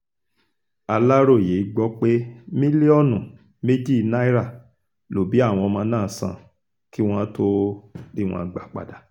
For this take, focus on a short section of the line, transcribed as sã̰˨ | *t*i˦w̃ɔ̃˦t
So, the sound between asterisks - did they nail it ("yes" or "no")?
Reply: no